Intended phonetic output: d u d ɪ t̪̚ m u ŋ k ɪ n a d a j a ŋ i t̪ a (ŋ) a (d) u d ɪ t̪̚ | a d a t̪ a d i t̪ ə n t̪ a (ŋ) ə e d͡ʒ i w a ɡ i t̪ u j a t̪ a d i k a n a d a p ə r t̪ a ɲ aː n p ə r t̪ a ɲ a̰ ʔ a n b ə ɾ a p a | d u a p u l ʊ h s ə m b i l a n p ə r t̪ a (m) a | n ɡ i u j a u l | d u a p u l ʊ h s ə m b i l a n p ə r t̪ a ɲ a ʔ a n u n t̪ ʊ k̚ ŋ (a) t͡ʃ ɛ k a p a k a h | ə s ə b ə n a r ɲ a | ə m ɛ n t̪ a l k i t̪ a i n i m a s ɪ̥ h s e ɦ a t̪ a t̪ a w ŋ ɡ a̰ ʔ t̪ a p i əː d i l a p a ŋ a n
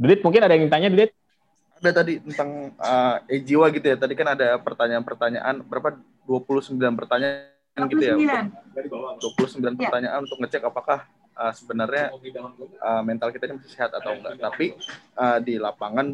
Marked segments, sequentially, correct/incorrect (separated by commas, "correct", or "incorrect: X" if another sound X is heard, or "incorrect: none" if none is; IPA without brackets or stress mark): incorrect: ɲ, correct, correct, incorrect: ɲ, incorrect: ə